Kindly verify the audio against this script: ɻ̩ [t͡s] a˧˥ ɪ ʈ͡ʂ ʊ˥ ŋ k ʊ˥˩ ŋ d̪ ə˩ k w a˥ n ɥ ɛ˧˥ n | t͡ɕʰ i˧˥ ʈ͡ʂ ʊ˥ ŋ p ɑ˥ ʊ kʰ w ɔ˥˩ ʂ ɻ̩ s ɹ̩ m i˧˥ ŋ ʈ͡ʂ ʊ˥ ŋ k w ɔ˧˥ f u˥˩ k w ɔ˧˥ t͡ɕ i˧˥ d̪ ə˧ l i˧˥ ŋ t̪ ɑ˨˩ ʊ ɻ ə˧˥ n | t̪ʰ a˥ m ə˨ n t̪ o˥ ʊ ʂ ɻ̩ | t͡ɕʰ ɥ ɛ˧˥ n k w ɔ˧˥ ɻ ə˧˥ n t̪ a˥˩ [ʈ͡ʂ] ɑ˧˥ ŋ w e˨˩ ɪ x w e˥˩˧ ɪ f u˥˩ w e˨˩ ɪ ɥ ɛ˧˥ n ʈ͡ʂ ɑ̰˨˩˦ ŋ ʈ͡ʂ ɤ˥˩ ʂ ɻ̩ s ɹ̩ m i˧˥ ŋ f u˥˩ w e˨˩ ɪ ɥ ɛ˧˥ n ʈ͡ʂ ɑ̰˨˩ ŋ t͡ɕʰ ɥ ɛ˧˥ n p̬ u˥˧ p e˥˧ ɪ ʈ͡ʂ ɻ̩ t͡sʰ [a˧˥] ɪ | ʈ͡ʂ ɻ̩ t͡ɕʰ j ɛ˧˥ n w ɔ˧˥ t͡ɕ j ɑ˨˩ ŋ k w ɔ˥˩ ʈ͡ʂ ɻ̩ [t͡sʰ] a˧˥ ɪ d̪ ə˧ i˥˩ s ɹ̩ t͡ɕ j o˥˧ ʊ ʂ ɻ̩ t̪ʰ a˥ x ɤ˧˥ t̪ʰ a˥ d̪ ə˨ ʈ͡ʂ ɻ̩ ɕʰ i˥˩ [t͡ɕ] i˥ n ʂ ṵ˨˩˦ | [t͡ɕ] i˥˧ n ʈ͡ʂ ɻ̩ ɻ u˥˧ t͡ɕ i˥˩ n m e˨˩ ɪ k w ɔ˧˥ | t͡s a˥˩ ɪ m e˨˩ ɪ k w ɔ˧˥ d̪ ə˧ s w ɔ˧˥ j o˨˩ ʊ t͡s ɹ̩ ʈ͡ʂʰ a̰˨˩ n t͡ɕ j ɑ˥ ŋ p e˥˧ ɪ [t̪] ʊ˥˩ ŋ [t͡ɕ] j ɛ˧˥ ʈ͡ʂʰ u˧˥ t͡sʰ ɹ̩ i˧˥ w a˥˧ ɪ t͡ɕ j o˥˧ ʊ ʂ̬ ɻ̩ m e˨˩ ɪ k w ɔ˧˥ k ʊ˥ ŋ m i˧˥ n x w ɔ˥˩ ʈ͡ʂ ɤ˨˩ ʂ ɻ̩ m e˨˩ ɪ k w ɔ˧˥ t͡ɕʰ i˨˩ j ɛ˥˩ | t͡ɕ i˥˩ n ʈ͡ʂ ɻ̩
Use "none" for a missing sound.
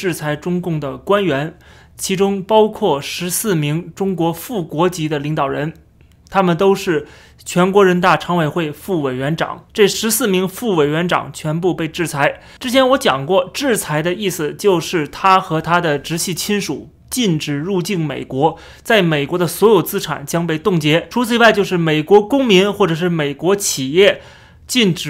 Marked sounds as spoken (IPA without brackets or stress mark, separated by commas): t͡sʰ, ʈ͡ʂʰ, a˧˥, t͡sʰ, t͡ɕʰ, t͡ɕ, t̪, t͡ɕ